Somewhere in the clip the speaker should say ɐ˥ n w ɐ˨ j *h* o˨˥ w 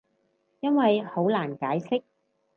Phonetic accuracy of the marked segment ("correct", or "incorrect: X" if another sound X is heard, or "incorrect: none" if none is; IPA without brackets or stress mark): correct